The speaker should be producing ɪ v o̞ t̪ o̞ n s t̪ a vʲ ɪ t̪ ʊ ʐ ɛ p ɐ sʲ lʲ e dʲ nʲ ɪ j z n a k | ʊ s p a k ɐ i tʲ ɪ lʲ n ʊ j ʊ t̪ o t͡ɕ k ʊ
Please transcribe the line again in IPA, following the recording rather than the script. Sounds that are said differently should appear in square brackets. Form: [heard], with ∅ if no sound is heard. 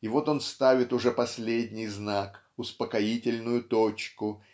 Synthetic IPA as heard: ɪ v o̞ t̪ o̞ n s t̪ a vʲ ɪ t̪ ʊ ʐ ɛ p ɐ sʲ lʲ e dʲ nʲ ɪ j z n a k | ʊ s p [ə] k ɐ i tʲ ɪ lʲ n ʊ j ʊ t̪ o t͡ɕ k ʊ

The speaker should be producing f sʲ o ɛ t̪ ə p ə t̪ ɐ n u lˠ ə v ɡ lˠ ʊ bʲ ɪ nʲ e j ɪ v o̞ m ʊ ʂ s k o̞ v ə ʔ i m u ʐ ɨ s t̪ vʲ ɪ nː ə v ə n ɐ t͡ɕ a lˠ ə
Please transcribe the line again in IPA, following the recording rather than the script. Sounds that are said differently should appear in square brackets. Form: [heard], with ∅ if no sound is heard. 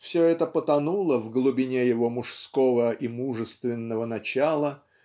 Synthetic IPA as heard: f sʲ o ɛ t̪ ə p ə t̪ ɐ n u lˠ ə v ɡ lˠ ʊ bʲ ɪ nʲ e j ɪ v o̞ m ʊ ʂ s k o̞ v ə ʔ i m u ʐ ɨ s t̪ vʲ ɪ nː ə v ə n ɐ t͡ɕ a lˠ ə

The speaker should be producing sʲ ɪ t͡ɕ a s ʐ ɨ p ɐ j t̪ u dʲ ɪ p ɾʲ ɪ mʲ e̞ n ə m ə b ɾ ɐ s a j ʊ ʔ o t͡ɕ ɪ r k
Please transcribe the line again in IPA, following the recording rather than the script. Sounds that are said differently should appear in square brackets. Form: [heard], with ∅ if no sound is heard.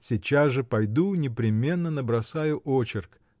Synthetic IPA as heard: sʲ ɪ t͡ɕ a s ʐ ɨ p ɐ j [d̪] u [nʲ] ɪ p ɾʲ ɪ mʲ e̞ [nː] ə [n] ə b ɾ ɐ s a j ʊ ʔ o t͡ɕ ɪ r k

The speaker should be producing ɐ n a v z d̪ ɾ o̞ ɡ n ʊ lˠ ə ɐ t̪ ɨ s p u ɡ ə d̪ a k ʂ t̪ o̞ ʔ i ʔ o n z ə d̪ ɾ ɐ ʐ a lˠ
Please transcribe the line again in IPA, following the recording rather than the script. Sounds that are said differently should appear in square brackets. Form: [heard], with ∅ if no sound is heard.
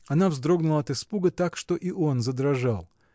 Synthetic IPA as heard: ɐ n a v z d̪ ɾ o̞ ɡ n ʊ lˠ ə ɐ t̪ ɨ s p u ɡ ə [t̪] a k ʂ t̪ o̞ ʔ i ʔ o n z ə d̪ ɾ ɐ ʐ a lˠ

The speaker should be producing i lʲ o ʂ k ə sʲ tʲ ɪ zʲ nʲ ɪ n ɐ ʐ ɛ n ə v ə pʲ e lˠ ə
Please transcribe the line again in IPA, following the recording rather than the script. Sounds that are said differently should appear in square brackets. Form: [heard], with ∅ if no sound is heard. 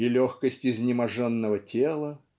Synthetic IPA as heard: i lʲ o [x] k ə sʲ tʲ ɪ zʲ nʲ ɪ [m] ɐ ʐ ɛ [nː] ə v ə [tʲ] e lˠ ə

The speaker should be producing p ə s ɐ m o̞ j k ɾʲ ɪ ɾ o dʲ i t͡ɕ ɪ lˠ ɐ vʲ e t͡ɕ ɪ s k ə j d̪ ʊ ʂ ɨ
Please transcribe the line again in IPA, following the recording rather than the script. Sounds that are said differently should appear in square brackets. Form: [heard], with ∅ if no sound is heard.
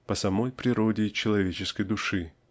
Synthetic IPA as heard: p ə s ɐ m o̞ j [p] ɾʲ ɪ ɾ o dʲ [ɪ] t͡ɕ ɪ lˠ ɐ vʲ e t͡ɕ ɪ s k ə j d̪ ʊ ʂ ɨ

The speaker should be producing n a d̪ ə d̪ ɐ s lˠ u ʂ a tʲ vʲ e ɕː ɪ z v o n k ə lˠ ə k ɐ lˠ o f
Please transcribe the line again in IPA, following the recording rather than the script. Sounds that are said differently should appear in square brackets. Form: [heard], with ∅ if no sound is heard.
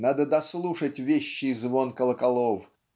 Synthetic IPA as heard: n a d̪ ə d̪ ɐ s lˠ u ʂ [ə] tʲ vʲ e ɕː ɪ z v o n k ə lˠ ə k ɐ lˠ o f

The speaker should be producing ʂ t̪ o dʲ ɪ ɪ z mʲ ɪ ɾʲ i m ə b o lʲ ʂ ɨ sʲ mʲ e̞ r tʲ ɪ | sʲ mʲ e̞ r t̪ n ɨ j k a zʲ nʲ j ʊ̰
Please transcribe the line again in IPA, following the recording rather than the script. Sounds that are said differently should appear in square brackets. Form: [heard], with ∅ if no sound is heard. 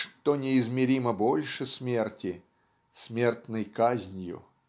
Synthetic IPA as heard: ʂ t̪ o [nʲ] ɪ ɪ z mʲ ɪ ɾʲ i m ə b o lʲ ʂ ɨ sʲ mʲ e̞ r tʲ ɪ | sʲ mʲ e̞ r t̪ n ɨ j k a zʲ nʲ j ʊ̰

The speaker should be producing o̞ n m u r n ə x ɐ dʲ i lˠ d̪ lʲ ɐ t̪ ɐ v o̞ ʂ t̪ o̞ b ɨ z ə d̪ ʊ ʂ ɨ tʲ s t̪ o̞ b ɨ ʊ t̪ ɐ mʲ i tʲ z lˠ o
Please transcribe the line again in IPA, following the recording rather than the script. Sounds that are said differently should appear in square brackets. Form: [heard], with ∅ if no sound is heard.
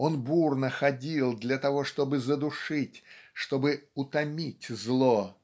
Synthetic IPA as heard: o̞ n [b] u r n ə x ɐ dʲ i lˠ d̪ lʲ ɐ t̪ ɐ v o̞ ʂ t̪ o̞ b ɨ z ə d̪ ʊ ʂ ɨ tʲ [ʂ] t̪ o̞ b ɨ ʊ t̪ ɐ mʲ i tʲ z lˠ o

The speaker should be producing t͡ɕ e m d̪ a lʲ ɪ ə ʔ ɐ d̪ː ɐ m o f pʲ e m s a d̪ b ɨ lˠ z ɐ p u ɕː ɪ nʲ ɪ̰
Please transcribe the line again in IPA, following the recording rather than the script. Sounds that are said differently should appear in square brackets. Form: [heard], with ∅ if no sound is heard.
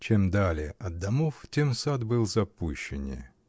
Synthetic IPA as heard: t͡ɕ e m d̪ a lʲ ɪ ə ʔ ɐ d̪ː ɐ m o f [tʲ] e m s a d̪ b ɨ lˠ z ɐ p u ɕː ɪ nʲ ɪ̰

